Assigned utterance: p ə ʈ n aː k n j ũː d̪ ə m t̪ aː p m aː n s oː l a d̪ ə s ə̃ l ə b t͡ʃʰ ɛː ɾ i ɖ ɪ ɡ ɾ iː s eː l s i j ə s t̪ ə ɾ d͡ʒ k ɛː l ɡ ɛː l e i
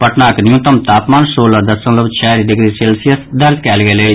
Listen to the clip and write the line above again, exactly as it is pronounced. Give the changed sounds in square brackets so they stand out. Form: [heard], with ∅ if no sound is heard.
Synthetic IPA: p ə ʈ n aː k n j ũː [t̪] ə m t̪ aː p m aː n s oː l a d̪ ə s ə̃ l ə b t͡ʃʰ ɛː ɾ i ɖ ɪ ɡ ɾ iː s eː l s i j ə s [d̪] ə ɾ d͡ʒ k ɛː l ɡ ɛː l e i